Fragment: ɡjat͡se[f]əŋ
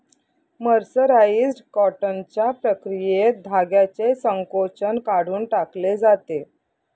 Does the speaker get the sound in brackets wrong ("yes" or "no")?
yes